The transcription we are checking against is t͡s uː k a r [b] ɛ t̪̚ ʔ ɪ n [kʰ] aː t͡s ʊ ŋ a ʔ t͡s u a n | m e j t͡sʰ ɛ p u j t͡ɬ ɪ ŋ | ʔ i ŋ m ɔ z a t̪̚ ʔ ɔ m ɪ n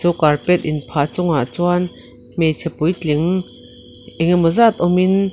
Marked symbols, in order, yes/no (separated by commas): no, no